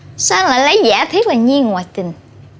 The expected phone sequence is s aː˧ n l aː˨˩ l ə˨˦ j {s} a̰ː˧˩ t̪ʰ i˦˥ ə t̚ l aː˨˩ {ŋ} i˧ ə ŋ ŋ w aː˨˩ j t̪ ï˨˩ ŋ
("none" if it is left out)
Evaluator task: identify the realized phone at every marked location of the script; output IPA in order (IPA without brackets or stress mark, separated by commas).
z, ɲ